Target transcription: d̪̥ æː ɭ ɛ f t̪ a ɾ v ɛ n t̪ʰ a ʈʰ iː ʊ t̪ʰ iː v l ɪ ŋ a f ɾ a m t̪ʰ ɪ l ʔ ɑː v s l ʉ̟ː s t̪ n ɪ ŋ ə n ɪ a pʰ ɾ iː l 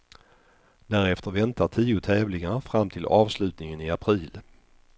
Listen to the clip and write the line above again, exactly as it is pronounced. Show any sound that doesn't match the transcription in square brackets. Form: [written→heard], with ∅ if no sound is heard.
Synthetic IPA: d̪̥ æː [ɭ→ɾ] ɛ f t̪ [a→ə] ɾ v ɛ n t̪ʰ a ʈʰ iː ʊ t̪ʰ [iː→ɛː] v l ɪ ŋ a f ɾ a m t̪ʰ ɪ l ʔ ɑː v s l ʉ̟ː [s→∅] t̪ n ɪ ŋ ə n ɪ a pʰ ɾ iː l